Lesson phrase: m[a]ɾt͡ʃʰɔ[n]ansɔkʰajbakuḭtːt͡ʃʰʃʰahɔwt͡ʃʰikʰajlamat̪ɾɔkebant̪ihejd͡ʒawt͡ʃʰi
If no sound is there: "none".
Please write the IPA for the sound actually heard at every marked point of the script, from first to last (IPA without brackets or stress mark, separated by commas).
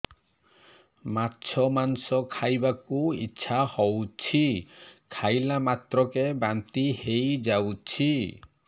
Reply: a, m